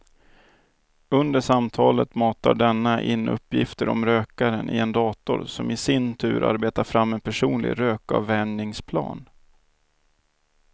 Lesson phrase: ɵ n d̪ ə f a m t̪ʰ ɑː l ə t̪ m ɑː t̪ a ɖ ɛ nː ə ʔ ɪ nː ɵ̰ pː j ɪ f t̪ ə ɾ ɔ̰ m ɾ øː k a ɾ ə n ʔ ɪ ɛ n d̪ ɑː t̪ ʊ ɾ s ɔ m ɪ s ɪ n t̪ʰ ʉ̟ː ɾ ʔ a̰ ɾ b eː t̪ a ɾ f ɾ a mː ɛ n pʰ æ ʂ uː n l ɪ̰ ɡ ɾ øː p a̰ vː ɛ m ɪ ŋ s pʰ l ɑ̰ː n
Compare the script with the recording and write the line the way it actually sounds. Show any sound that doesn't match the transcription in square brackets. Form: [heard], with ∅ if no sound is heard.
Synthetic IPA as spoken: ɵ n d̪ ə [ʂ] a m t̪ʰ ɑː l ə t̪ m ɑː t̪ a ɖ ɛ nː [a] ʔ ɪ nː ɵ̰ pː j ɪ f t̪ ə ɾ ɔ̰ m ɾ øː k a ɾ ə n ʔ ɪ ɛ n d̪ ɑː t̪ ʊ ɾ s ɔ m ɪ s ɪ n t̪ʰ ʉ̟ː ɾ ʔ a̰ ɾ b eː t̪ a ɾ f ɾ a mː ɛ n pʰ æ ʂ uː n l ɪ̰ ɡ ɾ øː [k] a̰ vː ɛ [ɳ] ɪ ŋ s pʰ l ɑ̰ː n